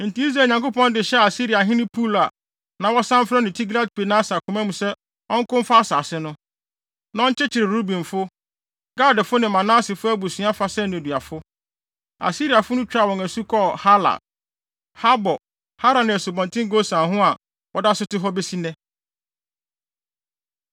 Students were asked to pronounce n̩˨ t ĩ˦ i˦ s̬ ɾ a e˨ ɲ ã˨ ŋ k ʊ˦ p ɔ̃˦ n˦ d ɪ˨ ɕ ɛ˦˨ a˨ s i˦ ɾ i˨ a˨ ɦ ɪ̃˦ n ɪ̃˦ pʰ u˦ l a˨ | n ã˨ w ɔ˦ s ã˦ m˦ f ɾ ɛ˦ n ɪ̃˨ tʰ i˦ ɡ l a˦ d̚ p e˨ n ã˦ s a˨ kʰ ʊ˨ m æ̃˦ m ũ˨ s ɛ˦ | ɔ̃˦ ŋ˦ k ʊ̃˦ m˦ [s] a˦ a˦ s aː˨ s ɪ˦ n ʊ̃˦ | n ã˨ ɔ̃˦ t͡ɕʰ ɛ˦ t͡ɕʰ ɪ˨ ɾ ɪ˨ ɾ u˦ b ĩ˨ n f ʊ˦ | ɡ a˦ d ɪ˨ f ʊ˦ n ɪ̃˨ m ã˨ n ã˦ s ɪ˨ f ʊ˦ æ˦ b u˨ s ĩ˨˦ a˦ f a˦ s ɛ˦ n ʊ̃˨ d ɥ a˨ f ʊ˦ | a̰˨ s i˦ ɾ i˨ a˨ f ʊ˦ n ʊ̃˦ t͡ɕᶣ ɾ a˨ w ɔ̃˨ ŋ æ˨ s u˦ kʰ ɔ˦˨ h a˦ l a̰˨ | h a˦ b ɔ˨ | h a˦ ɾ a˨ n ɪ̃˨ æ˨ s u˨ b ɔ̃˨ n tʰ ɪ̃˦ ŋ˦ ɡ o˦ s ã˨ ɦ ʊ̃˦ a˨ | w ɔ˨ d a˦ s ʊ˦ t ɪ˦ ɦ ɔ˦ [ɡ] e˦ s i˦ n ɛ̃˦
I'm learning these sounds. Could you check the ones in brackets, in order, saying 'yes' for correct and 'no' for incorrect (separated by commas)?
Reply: no, no